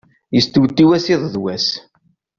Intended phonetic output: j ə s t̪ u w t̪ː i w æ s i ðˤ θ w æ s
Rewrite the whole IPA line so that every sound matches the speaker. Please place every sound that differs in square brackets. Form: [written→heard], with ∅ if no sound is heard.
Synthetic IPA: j ə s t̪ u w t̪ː i w æ s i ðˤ [θ→ð] w æ s